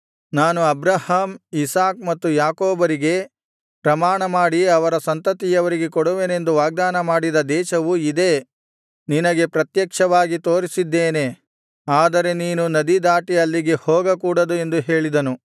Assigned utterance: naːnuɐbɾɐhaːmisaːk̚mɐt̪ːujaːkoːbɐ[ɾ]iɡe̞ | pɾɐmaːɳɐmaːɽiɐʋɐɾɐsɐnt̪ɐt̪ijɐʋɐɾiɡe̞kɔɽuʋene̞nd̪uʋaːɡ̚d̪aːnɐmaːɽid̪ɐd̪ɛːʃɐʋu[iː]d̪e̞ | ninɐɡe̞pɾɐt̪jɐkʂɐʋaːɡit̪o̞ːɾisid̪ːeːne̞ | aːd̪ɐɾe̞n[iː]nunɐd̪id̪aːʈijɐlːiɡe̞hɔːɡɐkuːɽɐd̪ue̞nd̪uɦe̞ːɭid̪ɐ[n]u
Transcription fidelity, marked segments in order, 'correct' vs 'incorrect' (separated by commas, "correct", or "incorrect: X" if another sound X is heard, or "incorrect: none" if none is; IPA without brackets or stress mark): correct, incorrect: i, correct, correct